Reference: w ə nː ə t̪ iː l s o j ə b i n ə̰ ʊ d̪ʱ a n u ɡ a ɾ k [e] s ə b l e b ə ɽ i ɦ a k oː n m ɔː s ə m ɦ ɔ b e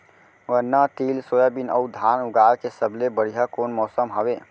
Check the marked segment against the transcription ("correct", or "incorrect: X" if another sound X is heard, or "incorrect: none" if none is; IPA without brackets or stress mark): correct